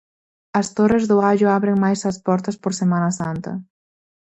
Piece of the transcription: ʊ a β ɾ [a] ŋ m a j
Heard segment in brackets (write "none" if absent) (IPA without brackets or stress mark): e